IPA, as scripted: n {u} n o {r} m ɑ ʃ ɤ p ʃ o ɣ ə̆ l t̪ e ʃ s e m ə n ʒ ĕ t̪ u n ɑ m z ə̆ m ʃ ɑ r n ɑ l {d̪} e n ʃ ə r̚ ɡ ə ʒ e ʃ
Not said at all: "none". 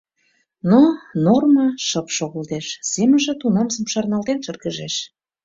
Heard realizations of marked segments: o, r, t̪

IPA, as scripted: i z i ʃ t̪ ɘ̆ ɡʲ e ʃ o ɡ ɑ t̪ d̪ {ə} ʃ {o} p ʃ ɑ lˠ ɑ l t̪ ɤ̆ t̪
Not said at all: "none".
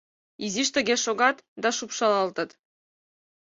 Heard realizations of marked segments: ɑ, u

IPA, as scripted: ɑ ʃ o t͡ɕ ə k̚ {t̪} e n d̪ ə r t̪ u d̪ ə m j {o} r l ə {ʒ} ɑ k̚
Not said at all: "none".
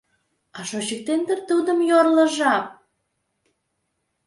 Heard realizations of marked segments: t̪, o, ʒ

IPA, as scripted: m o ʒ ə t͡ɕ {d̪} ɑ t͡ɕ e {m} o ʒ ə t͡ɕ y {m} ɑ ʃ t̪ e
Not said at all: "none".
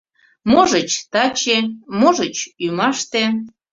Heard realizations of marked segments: t̪, m, m

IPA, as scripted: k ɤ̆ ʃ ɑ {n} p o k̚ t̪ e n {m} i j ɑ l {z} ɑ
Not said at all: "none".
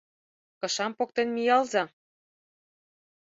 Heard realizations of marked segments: m, m, z

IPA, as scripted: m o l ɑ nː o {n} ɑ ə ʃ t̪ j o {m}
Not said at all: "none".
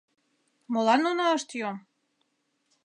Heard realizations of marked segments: n, m

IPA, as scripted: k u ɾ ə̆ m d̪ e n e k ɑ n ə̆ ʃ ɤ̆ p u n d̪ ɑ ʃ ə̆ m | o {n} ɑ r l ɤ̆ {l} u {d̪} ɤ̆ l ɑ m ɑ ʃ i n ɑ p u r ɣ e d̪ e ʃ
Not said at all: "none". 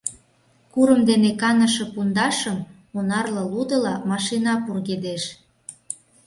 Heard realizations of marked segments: n, l, d̪

